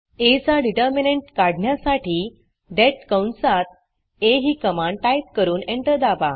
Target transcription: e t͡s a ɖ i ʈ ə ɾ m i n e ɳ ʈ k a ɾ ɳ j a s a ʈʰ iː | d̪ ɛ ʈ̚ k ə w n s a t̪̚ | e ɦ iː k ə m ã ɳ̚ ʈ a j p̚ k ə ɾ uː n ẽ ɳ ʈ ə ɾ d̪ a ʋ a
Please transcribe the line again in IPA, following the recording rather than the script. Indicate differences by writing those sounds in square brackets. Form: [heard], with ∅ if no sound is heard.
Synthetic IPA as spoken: e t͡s a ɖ i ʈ ə ɾ m i n e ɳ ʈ k a [ɽ] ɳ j a s a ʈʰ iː | d̪ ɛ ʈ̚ k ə w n s a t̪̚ | e ɦ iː k ə m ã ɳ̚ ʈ a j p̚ k ə ɾ uː n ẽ ɳ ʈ ə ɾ d̪ a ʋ a